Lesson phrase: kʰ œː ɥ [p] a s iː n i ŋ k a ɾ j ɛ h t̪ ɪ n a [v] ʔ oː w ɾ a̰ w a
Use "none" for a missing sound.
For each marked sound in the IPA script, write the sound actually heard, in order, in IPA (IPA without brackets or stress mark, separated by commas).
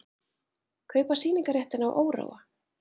p, w